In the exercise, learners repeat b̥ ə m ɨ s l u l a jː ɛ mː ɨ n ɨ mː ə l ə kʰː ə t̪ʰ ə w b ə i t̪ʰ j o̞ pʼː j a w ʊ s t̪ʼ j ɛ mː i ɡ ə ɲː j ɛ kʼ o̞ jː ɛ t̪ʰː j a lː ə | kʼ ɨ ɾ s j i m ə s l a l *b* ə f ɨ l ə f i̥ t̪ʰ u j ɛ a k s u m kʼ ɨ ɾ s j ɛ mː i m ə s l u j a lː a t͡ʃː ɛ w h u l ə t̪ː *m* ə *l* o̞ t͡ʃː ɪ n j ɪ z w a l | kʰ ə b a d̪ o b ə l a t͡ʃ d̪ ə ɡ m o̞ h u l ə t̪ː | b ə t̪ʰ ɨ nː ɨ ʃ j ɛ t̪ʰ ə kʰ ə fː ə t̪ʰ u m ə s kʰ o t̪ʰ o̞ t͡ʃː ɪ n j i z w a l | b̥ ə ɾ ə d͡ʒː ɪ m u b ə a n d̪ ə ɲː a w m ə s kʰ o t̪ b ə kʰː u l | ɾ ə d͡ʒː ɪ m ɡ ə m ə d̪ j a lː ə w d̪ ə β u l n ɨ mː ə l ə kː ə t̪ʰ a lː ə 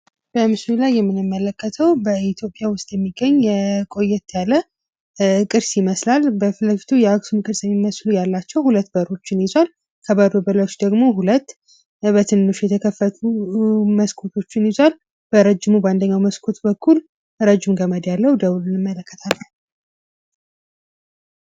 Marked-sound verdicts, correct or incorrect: correct, incorrect: b, incorrect: ɾ

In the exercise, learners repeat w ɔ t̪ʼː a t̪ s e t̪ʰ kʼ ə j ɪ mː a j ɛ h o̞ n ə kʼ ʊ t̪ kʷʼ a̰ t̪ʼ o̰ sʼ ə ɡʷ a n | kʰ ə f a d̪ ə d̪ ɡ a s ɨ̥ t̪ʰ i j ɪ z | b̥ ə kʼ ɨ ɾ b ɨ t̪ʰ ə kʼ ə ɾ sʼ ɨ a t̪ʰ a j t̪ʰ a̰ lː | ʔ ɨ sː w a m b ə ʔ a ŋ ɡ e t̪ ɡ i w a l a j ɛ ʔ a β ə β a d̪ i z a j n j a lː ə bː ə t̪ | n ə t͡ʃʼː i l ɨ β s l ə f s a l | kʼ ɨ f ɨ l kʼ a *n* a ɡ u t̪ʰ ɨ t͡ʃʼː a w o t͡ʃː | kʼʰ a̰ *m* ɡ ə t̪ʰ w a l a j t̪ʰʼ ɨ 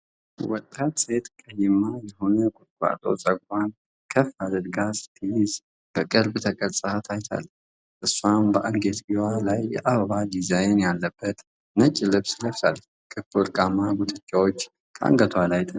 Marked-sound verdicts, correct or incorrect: incorrect: m, incorrect: ŋ

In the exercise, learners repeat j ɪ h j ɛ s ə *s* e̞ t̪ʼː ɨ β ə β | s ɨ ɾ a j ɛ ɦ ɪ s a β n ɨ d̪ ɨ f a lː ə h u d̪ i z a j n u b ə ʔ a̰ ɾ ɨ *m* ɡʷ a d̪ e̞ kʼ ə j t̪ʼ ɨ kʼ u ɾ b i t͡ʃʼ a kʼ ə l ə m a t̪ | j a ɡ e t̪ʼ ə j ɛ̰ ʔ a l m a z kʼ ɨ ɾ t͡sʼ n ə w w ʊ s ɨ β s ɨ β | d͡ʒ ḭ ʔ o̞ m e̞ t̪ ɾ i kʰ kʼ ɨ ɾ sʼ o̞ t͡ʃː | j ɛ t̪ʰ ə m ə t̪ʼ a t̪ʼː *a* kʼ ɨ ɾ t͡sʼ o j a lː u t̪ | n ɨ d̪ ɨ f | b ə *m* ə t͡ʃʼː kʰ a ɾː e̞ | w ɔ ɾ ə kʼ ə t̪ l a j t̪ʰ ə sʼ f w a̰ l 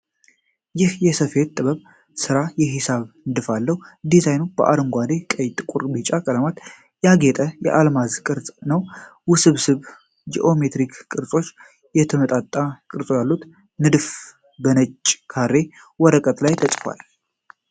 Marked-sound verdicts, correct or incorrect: incorrect: f, incorrect: ŋ, correct, incorrect: n

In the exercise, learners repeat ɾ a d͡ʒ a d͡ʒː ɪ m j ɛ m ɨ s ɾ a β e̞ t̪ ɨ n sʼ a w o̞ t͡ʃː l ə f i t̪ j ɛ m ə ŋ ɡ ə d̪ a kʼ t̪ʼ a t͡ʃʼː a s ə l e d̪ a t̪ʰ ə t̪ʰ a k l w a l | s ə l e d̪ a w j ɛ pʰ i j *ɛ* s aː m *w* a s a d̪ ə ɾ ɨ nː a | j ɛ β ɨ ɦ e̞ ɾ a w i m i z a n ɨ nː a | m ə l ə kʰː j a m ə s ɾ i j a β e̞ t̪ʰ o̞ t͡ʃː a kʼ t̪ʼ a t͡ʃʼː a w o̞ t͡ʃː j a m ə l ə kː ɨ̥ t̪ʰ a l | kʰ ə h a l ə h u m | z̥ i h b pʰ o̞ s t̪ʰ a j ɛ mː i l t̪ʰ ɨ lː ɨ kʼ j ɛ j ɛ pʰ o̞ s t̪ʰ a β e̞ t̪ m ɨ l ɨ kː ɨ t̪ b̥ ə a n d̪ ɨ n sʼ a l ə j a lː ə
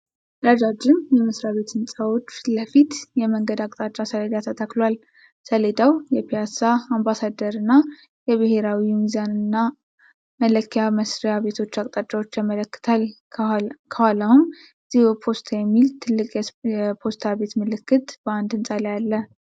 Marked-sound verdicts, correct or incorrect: incorrect: a, incorrect: b

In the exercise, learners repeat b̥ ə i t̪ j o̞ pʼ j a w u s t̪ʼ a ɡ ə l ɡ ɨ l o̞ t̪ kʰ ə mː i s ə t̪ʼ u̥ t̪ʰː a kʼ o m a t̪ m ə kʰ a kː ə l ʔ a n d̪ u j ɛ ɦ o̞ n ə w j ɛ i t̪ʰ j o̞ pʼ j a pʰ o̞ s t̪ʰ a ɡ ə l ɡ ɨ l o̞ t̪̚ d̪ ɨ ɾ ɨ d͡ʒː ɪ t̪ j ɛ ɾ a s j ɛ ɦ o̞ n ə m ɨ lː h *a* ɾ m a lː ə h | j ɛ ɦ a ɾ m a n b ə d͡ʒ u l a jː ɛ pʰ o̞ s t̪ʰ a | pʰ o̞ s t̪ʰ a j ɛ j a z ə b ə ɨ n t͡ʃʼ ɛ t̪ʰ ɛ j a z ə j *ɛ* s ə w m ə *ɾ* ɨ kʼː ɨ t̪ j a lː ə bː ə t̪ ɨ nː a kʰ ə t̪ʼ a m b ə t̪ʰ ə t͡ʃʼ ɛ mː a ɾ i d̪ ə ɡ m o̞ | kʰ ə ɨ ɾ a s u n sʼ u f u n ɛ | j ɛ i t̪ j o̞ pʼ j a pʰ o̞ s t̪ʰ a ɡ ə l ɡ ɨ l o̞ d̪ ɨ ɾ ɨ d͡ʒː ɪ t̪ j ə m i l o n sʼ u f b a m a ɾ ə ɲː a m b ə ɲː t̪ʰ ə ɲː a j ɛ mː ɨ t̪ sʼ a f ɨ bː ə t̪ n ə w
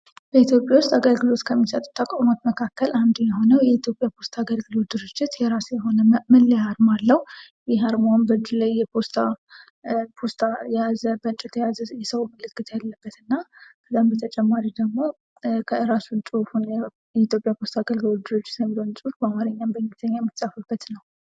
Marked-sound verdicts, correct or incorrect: correct, correct, incorrect: l

